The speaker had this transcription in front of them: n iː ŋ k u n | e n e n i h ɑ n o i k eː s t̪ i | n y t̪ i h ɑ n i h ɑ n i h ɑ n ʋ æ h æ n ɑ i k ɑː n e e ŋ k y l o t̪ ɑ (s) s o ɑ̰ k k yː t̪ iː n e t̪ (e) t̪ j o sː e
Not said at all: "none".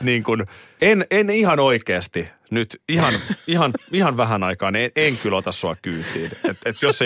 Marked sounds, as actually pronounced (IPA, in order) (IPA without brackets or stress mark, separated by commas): s, e